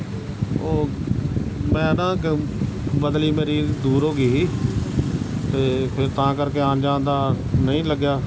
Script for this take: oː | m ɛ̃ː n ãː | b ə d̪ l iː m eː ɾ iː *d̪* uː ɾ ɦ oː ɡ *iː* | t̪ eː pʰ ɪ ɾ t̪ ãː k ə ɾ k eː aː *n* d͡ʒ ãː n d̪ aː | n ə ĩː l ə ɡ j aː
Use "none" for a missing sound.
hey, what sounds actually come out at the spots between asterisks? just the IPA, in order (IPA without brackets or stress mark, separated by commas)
d̪, iː, n